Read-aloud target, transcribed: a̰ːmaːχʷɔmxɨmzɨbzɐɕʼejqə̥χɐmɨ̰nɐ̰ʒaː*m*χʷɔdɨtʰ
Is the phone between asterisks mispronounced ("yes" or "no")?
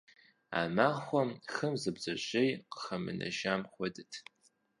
no